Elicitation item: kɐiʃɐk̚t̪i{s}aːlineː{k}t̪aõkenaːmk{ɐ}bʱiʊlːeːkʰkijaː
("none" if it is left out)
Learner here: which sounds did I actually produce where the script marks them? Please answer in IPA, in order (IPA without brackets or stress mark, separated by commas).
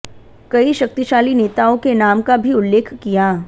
ʃ, none, a